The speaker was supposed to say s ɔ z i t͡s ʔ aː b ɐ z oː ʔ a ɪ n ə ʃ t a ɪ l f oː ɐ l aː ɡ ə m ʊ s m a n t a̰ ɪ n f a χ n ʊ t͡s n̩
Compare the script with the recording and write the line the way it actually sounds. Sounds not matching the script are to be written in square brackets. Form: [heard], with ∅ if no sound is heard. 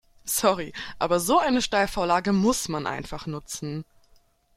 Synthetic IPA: s ɔ [ʁ] i [∅] ʔ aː b ɐ z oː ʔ a ɪ n ə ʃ t a ɪ l f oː ɐ l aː ɡ ə m ʊ s m a n [ʔ] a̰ ɪ n f a χ n ʊ t͡s n̩